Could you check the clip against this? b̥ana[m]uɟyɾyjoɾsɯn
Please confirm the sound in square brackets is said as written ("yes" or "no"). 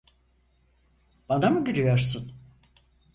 yes